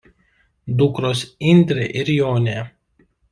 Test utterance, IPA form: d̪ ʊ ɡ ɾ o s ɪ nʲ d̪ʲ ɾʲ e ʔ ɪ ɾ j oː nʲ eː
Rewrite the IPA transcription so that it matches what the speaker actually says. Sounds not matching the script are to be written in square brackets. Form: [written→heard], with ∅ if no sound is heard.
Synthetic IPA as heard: d̪ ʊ [ɡ→k] ɾ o s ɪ nʲ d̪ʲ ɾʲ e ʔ ɪ ɾ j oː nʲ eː